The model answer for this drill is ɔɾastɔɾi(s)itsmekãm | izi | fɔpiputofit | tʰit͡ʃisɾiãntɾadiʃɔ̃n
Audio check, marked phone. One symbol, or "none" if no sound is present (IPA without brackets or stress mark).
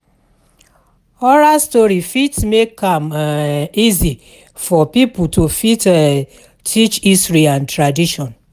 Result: f